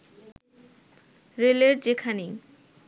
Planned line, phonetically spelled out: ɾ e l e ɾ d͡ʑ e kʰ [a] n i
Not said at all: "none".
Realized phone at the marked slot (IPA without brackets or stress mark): a